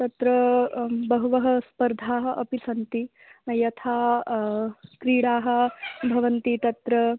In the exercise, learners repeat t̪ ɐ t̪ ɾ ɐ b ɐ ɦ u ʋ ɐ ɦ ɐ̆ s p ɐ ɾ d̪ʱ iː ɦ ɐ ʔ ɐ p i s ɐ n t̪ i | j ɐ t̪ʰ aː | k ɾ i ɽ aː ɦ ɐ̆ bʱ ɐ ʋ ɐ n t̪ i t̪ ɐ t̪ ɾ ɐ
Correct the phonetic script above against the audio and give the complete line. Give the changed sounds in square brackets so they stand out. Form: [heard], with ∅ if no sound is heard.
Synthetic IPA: t̪ ɐ t̪ ɾ ɐ b ɐ ɦ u ʋ ɐ ɦ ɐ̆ s p ɐ ɾ d̪ʱ [aː] ɦ ɐ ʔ ɐ p i s ɐ n t̪ i | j ɐ t̪ʰ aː | k ɾ [iː] ɽ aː ɦ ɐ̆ bʱ ɐ ʋ ɐ n t̪ i t̪ ɐ t̪ ɾ ɐ

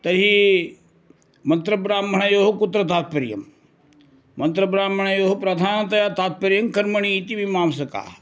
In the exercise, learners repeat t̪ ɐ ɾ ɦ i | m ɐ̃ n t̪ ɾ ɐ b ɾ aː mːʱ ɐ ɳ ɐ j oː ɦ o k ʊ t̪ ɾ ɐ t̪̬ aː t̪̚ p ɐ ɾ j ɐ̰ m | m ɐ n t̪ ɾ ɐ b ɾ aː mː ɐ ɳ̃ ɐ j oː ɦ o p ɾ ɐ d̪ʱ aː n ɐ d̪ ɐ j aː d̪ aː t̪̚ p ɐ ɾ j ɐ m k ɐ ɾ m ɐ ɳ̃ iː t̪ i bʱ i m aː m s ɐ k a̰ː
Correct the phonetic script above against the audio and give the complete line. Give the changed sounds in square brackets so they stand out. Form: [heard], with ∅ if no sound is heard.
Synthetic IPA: t̪ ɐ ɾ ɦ i | m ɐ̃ n t̪ ɾ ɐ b ɾ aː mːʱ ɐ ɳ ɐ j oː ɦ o k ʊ t̪ ɾ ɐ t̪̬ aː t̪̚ p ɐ ɾ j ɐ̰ m | m ɐ n t̪ ɾ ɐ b ɾ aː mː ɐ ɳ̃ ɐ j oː ɦ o p ɾ ɐ d̪ʱ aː n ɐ [t̪] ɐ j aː [t̪] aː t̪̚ p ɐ ɾ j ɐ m k ɐ ɾ m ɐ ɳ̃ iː t̪ i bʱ i m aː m s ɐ k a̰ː

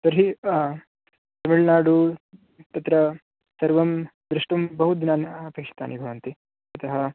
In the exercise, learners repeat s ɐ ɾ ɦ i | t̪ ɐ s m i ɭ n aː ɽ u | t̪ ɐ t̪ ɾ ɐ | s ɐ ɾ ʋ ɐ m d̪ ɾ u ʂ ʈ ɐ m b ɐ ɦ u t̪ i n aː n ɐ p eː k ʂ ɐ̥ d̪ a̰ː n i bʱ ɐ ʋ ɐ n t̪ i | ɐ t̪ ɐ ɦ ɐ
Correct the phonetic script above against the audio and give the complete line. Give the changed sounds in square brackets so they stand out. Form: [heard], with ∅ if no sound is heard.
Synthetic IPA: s ɐ ɾ ɦ i | t̪ ɐ [∅] m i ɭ n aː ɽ u | t̪ ɐ t̪ ɾ ɐ | s ɐ ɾ ʋ ɐ m d̪ ɾ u ʂ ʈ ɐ m b ɐ ɦ u [d̪] i n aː n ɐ p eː k ʂ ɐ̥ [t̪] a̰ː n i bʱ ɐ ʋ ɐ n t̪ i | ɐ t̪ ɐ ɦ ɐ

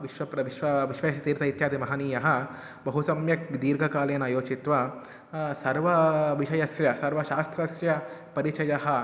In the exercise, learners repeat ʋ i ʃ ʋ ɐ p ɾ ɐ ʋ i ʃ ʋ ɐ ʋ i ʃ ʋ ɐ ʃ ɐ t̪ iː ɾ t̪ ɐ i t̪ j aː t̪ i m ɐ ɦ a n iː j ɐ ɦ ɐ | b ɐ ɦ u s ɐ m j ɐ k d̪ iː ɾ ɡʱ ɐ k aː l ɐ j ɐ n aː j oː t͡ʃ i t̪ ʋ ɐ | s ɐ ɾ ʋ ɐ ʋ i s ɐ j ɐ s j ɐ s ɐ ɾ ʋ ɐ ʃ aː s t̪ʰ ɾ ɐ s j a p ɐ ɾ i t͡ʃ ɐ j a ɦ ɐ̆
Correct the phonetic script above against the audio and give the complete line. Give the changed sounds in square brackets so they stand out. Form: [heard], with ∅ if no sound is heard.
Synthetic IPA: ʋ i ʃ ʋ ɐ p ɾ ɐ ʋ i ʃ ʋ ɐ ʋ i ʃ ʋ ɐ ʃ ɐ t̪ iː ɾ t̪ ɐ i t̪ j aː t̪ i m ɐ ɦ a n iː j ɐ ɦ ɐ | b ɐ ɦ u s ɐ m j ɐ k d̪ iː ɾ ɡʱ ɐ k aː l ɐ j ɐ n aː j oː t͡ʃ i t̪ ʋ ɐ | s ɐ ɾ ʋ ɐ ʋ i [ʃ] ɐ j ɐ s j ɐ s ɐ ɾ ʋ ɐ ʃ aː s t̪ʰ ɾ ɐ s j [ɐ] p ɐ ɾ i t͡ʃ ɐ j [ɐ] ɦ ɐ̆

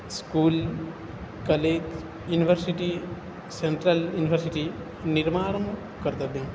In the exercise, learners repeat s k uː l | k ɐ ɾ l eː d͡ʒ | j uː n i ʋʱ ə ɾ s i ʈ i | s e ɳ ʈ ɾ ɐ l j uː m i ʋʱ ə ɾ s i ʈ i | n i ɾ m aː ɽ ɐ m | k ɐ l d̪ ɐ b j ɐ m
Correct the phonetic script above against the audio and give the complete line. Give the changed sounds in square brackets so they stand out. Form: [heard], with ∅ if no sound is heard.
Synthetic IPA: s k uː l | k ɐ [∅] l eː d͡ʒ | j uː n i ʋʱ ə ɾ s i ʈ i | s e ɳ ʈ ɾ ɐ l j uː [n] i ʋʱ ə ɾ s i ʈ i | n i ɾ m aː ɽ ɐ m | k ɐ [ɾ] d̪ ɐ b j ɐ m

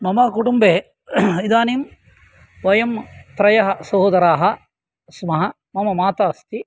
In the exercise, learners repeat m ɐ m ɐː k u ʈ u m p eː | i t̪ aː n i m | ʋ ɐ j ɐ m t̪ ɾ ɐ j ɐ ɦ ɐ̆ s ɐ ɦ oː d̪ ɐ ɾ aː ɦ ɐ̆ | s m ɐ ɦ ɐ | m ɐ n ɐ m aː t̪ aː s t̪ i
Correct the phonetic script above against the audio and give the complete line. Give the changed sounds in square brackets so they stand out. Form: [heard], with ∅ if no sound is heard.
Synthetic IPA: m ɐ m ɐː k u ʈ u m [b] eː | i [d̪] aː n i m | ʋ ɐ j ɐ m t̪ ɾ ɐ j ɐ ɦ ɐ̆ s ɐ ɦ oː d̪ ɐ ɾ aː ɦ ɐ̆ | s m ɐ ɦ ɐ | m ɐ [m] ɐ m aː t̪ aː s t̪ i

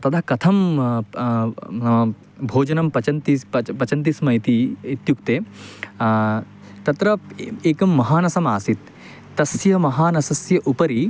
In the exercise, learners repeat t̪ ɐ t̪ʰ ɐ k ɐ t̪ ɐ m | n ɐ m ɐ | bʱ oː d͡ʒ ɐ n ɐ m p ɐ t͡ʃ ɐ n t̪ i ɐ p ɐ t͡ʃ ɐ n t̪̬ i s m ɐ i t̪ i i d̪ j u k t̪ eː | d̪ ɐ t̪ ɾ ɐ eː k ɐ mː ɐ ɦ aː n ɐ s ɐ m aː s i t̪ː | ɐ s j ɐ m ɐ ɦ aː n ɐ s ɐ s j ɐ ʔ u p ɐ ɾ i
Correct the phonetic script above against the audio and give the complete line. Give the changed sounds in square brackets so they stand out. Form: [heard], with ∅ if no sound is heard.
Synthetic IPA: t̪ ɐ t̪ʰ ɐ k ɐ [t̪ʰ] ɐ m | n ɐ m ɐ | bʱ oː d͡ʒ ɐ n ɐ m p ɐ t͡ʃ ɐ n t̪ i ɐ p ɐ t͡ʃ ɐ n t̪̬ i s m ɐ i t̪ i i [t̪] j u k t̪ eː | [t̪] ɐ t̪ ɾ ɐ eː k ɐ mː ɐ ɦ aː n ɐ s ɐ m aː s i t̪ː | ɐ s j ɐ m ɐ ɦ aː n ɐ s ɐ s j ɐ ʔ u p ɐ ɾ i

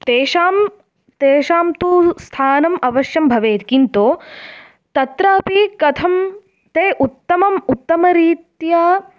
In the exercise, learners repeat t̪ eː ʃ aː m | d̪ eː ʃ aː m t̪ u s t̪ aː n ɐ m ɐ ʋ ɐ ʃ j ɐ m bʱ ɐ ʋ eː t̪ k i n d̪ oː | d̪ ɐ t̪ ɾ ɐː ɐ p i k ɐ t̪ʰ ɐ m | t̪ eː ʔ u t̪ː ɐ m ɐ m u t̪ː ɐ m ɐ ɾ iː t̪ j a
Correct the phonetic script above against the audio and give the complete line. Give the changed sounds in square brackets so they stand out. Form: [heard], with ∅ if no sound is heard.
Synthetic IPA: t̪ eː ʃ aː m | [t̪] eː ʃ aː m t̪ u s [t̪ʰ] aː n ɐ m ɐ ʋ ɐ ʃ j ɐ m bʱ ɐ ʋ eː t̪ k i n [t̪] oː | [t̪] ɐ t̪ ɾ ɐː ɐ p i k ɐ t̪ʰ ɐ m | t̪ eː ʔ u t̪ː ɐ m ɐ m u t̪ː ɐ m ɐ ɾ iː t̪ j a

